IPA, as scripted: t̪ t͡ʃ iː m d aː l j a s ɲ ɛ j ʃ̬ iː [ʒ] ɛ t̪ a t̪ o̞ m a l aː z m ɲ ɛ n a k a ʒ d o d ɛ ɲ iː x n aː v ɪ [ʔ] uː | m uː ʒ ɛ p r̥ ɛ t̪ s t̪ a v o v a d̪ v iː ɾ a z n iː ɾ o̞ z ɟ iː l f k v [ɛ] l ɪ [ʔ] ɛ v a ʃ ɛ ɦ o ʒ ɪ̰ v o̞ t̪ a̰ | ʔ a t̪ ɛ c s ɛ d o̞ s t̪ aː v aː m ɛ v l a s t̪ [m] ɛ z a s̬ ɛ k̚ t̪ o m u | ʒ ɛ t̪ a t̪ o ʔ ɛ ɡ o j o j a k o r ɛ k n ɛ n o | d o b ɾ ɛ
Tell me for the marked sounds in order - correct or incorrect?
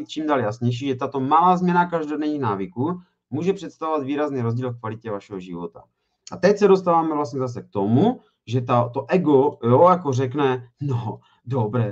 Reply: correct, incorrect, incorrect, incorrect, incorrect

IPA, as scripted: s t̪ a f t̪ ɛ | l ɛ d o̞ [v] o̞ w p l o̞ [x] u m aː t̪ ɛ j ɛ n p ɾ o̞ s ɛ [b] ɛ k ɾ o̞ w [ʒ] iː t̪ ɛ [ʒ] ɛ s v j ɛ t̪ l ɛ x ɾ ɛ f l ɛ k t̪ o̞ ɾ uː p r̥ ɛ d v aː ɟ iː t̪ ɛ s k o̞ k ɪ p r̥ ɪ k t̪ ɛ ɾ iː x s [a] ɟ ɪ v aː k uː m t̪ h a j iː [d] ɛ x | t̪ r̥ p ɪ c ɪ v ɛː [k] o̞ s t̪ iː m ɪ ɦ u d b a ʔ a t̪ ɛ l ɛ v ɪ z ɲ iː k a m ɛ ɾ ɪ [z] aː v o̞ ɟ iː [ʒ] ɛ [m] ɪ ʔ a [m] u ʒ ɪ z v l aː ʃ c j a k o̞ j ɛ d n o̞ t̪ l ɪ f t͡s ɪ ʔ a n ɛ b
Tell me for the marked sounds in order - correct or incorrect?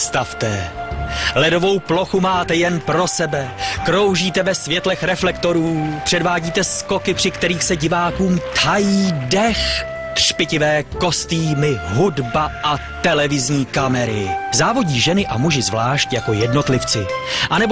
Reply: correct, correct, correct, correct, incorrect, incorrect, correct, correct, correct, correct, incorrect, correct

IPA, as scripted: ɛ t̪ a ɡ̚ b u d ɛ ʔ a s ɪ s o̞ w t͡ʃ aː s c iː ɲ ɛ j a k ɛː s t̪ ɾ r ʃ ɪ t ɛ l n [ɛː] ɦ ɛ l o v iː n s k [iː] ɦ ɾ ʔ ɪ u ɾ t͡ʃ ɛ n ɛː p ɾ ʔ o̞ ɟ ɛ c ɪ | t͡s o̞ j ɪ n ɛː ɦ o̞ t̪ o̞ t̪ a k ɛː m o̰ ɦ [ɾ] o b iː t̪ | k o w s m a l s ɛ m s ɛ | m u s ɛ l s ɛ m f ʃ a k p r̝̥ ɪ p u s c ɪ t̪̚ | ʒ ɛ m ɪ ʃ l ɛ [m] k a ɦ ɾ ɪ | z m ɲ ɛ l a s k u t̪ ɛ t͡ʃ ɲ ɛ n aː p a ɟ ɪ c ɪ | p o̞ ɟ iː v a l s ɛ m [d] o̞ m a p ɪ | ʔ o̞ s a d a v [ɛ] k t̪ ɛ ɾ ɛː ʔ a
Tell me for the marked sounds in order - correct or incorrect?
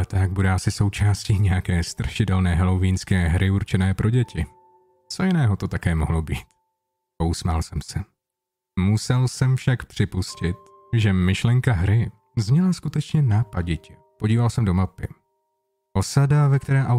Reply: correct, incorrect, incorrect, incorrect, correct, correct

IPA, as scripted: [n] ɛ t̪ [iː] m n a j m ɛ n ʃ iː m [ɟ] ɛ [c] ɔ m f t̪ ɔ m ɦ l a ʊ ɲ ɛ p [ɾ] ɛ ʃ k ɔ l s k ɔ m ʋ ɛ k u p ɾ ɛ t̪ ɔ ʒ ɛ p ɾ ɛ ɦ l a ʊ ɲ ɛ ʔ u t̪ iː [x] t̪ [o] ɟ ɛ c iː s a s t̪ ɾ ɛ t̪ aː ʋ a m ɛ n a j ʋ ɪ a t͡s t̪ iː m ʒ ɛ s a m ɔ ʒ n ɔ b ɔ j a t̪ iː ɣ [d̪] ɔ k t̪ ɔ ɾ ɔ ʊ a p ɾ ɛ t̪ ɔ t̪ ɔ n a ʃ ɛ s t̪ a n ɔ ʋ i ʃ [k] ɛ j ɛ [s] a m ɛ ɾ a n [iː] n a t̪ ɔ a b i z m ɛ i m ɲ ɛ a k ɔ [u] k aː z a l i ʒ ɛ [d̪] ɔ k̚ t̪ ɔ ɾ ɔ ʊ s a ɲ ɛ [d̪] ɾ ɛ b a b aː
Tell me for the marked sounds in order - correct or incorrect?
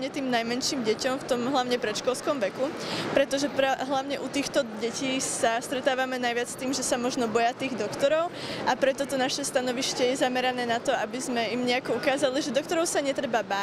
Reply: incorrect, correct, correct, correct, correct, correct, incorrect, correct, incorrect, incorrect, incorrect, correct, correct, incorrect

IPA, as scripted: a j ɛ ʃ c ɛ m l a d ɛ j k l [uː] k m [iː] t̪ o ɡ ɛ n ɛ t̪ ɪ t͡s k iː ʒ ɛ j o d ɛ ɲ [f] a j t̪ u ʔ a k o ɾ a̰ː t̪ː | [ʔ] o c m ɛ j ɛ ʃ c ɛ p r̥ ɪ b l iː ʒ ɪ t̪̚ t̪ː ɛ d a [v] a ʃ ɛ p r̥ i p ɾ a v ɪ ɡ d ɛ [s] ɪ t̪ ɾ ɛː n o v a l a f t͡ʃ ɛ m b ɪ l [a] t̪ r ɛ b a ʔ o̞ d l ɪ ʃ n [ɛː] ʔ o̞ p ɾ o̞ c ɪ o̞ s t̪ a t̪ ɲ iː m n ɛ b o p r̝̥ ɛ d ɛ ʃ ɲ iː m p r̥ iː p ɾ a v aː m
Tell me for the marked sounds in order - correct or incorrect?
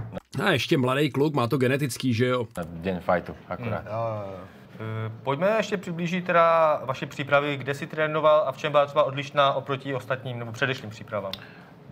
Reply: incorrect, incorrect, correct, incorrect, correct, correct, correct, incorrect

